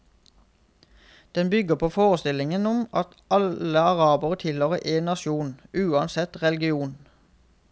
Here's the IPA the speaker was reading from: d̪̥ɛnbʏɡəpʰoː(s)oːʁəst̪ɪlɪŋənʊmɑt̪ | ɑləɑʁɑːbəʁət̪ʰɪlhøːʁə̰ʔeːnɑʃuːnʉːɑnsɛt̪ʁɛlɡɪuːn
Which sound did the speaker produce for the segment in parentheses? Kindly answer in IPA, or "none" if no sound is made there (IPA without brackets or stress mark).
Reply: f